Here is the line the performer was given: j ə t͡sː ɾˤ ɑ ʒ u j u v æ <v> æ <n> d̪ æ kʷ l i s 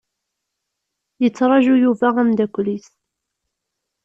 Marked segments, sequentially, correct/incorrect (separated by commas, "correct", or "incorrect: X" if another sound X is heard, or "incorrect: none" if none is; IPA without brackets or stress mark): incorrect: ʁ, incorrect: m